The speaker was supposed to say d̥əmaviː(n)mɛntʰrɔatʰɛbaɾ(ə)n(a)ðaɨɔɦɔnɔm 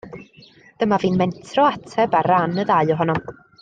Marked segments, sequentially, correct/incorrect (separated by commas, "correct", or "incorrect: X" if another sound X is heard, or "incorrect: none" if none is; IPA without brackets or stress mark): correct, incorrect: a, incorrect: ə